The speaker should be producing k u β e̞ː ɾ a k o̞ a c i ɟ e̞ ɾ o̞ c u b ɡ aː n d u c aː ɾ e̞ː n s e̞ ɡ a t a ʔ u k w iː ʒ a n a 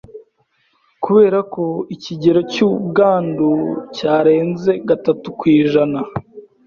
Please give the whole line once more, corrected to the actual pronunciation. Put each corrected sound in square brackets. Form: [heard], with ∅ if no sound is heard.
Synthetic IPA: k u β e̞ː ɾ a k o̞ [i] c i ɟ e̞ ɾ o̞ c u b ɡ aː n d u c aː ɾ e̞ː n [z] e̞ ɡ a t a [t] u k w iː ʒ a n a

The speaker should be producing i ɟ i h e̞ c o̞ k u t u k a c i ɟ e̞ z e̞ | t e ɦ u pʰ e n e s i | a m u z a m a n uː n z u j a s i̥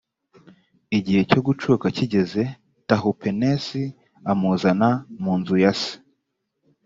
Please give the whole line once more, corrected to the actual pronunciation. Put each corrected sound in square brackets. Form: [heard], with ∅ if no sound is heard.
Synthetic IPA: i ɟ i h e̞ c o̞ [ɡ] u [t͡ʃ] u k a c i ɟ e̞ z e̞ | t [a] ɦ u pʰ e n e s i | a m u z a [n] a [m] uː n z u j a s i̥

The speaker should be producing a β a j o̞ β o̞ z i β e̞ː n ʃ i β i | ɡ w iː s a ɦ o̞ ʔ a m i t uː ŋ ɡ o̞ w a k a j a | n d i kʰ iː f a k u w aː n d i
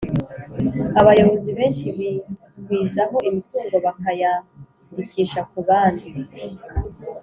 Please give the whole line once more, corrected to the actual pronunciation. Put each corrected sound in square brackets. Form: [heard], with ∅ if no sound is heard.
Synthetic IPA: a β a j o̞ β o̞ z i β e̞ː n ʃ i β i | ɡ w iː [z] a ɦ o̞ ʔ [i] m i t uː ŋ ɡ o̞ [β] a k a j a | n d i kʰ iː [ʃ] a k u [β] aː n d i

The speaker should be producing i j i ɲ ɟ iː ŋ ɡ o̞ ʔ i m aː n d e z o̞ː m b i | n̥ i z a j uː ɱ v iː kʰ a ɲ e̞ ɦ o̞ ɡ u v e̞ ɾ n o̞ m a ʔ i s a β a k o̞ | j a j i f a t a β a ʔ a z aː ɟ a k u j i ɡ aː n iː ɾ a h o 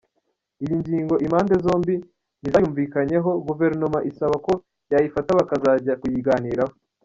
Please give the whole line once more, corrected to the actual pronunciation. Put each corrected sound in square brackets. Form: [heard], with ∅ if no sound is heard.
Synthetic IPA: i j i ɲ ɟ iː ŋ ɡ o̞ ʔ i m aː n d e z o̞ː m b i | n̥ i z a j uː ɱ v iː [k] a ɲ e̞ ɦ o̞ ɡ u v e̞ ɾ n o̞ m a ʔ i s a β a k o̞ | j a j i f a t a β a [k] a z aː ɟ a k u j i ɡ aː n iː ɾ a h o

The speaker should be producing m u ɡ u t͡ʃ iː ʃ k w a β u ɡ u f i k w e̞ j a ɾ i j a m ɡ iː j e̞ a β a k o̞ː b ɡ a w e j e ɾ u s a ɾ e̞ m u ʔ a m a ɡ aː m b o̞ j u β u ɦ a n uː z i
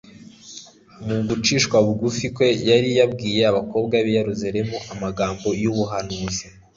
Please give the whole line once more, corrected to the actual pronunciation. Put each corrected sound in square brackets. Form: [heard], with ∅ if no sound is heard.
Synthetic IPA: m u ɡ u t͡ʃ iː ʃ k w a β u ɡ u f i k w e̞ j a ɾ i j a [b] ɡ iː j e̞ a β a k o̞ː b ɡ a [β] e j e ɾ u [z] a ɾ e̞ m u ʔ a m a ɡ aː m b o̞ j u β u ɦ a n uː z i

